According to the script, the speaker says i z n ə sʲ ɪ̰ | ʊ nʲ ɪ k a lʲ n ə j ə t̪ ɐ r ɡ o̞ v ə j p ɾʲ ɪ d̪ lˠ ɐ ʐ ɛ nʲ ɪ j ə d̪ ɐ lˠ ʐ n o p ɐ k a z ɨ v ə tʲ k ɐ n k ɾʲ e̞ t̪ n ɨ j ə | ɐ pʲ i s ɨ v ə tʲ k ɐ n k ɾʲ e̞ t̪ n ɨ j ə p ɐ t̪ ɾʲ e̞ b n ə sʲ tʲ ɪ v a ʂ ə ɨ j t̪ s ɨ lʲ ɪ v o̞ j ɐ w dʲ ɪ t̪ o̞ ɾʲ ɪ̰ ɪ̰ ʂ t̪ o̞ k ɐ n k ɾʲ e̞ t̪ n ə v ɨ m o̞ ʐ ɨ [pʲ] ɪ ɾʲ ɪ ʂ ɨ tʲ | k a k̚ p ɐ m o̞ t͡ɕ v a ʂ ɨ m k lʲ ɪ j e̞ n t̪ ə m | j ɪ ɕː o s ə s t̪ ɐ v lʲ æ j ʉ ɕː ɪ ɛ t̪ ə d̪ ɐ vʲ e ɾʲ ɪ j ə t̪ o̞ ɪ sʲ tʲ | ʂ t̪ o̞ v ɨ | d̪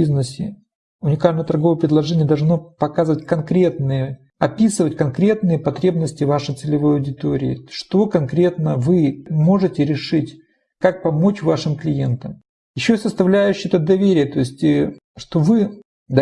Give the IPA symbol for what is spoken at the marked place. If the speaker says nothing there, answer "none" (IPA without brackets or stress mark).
tʲ